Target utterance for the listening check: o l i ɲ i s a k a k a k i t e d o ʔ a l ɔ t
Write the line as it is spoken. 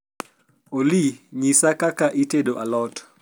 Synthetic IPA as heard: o l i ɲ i s a k a k a ʔ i t e d o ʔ a l ɔ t